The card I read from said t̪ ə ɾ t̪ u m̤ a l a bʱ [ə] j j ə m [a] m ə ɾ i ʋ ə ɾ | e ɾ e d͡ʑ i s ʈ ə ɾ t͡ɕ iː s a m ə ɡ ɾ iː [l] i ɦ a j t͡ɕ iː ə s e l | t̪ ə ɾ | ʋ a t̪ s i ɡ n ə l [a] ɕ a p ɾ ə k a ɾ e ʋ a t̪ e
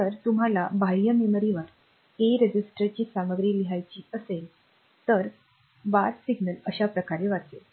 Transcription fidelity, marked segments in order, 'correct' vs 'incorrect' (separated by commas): incorrect, incorrect, correct, incorrect